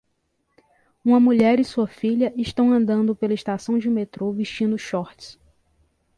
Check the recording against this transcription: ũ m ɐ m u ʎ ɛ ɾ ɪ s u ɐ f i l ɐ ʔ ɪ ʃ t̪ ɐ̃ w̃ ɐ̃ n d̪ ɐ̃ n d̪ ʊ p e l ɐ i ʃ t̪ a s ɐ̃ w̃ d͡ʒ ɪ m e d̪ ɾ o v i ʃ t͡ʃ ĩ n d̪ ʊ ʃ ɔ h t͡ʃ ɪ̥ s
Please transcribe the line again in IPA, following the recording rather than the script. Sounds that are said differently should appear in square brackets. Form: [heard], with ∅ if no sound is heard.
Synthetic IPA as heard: ũ m ɐ m u ʎ ɛ ɾ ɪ s u ɐ f i [ʎ] ɐ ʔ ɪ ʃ t̪ ɐ̃ w̃ ɐ̃ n d̪ ɐ̃ n d̪ ʊ p e l ɐ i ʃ t̪ a s ɐ̃ w̃ d͡ʒ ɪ m e [t̪] ɾ o v i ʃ t͡ʃ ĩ n d̪ ʊ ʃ ɔ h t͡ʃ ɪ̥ s